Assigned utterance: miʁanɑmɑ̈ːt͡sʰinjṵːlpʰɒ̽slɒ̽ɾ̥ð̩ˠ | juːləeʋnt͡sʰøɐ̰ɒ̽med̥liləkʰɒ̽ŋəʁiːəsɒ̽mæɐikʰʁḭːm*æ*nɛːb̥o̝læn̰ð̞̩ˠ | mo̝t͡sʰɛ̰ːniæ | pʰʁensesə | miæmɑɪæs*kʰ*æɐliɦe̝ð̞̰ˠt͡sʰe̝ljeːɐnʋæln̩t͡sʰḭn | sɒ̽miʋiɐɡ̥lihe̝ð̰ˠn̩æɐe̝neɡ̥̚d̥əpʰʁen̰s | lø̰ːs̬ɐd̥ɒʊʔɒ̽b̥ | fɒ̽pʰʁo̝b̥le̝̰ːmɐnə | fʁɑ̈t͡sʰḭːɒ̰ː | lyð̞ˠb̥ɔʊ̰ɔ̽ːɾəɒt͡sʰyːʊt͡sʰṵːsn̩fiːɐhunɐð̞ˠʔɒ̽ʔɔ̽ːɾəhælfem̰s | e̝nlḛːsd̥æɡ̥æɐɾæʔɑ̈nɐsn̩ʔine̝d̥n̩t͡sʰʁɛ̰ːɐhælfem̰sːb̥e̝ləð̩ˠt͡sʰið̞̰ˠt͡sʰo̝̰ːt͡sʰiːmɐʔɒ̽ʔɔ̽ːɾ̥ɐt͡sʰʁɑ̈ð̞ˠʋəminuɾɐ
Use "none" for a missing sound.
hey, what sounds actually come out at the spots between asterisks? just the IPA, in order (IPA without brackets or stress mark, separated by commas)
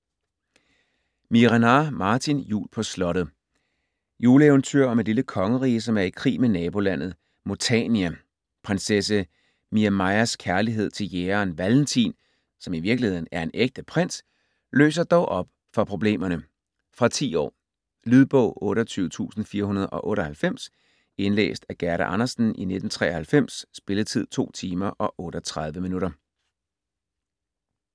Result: e, kʰ